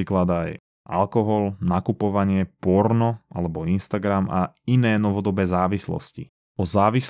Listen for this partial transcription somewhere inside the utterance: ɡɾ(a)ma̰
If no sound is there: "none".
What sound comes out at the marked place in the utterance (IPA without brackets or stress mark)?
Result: a